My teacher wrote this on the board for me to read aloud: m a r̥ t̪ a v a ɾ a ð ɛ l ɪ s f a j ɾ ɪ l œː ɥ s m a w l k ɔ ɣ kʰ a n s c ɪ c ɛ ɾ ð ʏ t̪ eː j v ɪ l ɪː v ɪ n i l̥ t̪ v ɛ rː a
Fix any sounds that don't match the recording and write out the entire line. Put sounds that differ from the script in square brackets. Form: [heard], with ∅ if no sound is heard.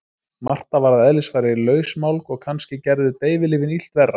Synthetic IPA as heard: m a r̥ t̪ a v a ɾ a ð ɛ l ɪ s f a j ɾ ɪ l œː ɥ s m a w l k ɔ ɣ kʰ a n s c ɪ c ɛ ɾ ð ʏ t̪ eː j v ɪ l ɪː v ɪ n i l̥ t̪ v ɛ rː a